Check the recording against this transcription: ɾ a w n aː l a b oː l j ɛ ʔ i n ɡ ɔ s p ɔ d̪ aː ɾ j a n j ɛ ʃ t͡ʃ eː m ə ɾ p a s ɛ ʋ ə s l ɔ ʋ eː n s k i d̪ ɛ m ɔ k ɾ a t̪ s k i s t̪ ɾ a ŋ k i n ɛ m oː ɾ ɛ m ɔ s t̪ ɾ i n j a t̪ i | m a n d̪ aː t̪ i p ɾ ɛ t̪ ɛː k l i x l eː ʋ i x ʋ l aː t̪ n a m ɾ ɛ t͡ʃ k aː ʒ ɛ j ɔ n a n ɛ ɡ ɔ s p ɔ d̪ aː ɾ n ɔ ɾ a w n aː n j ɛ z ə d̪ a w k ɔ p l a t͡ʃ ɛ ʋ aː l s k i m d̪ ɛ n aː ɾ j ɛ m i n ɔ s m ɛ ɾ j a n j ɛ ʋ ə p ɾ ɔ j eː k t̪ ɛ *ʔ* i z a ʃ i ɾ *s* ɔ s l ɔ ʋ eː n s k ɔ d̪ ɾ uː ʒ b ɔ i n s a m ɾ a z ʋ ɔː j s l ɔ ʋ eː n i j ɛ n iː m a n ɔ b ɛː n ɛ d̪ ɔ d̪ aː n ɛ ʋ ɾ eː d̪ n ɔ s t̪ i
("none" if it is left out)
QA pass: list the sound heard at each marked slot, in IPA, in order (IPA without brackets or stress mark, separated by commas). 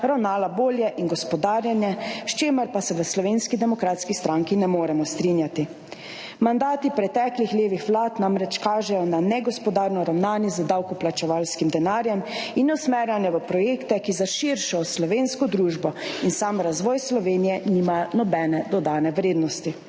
k, ʃ